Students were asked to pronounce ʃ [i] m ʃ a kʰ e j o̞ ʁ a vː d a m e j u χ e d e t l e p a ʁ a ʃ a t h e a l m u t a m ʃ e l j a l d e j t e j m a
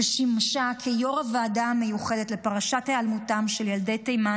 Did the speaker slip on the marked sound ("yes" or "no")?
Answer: no